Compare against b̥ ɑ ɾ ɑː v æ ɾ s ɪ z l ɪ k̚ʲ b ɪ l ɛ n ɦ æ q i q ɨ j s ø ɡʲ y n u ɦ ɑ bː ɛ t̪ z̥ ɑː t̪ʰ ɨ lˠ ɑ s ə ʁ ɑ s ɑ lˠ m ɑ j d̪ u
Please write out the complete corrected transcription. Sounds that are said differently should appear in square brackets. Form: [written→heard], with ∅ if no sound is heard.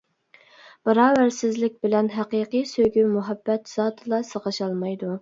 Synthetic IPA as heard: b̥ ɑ ɾ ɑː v æ ɾ s ɪ z l ɪ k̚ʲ b ɪ l ɛ n ɦ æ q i q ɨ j s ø ɡʲ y [n→m] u ɦ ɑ bː ɛ t̪ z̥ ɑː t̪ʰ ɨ lˠ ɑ s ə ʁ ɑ [s→ʃ] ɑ lˠ m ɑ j d̪ u